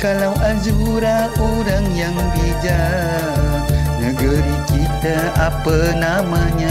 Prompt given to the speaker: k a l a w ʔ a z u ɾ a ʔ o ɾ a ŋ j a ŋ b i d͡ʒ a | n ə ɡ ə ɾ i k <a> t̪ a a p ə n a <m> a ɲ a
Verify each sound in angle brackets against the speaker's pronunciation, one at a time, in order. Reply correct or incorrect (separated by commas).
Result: incorrect, correct